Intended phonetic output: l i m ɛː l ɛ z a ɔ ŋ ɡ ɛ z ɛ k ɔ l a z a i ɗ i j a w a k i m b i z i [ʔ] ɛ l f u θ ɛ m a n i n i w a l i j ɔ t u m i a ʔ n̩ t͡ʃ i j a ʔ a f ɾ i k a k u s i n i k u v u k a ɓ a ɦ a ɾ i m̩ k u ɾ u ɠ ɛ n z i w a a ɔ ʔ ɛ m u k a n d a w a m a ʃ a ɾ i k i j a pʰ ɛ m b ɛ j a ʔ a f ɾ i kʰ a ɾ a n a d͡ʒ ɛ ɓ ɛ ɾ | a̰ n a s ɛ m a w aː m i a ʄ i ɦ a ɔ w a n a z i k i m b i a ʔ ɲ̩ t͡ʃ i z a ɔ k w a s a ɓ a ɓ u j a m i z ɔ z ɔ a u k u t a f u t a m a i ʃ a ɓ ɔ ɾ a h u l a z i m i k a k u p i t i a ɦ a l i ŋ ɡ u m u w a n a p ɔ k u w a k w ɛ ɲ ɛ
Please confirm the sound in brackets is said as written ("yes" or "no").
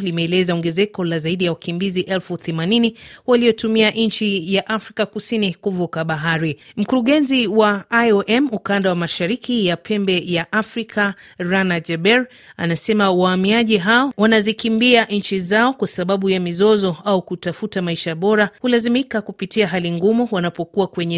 yes